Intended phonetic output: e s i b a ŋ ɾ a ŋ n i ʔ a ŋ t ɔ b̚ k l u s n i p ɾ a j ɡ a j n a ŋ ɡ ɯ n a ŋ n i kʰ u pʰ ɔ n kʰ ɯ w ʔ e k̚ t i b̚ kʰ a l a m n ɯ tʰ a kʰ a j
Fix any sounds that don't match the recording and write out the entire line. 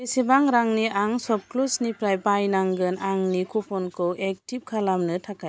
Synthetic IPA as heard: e s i b a ŋ ɾ a ŋ n i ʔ a ŋ s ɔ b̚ k l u s n i p ɾ a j b a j n a ŋ ɡ ɯ n a ŋ n i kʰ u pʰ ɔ n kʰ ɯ w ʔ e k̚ t i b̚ kʰ a l a m n ɯ tʰ a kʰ a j